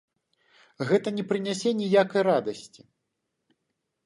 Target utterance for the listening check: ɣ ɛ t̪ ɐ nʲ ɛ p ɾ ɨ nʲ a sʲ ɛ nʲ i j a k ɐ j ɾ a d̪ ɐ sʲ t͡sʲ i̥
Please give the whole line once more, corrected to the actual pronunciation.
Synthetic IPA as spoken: ɣ ɛ t̪ ɐ nʲ ɛ p ɾ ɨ nʲ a sʲ ɛ nʲ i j a k ɐ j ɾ a d̪ ɐ sʲ t͡sʲ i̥